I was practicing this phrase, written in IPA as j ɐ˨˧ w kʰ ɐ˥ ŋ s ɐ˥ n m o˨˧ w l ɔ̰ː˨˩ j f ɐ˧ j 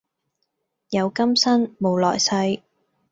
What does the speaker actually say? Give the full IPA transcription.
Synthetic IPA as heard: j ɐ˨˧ w k ɐ˥ m s ɐ˥ n m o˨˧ w l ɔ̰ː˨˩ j s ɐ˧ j